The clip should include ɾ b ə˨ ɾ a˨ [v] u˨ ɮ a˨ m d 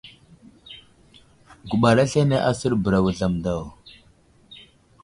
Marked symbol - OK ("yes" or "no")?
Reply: no